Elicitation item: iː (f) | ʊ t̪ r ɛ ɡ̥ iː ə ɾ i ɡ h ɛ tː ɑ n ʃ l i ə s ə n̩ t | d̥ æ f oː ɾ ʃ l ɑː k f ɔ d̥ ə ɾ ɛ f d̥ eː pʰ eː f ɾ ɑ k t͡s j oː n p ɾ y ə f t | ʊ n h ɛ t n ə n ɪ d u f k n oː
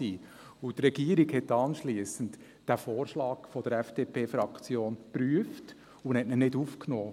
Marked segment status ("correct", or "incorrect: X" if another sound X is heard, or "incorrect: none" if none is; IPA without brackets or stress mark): incorrect: none